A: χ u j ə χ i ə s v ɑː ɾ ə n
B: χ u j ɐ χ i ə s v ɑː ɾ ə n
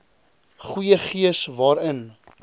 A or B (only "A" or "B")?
A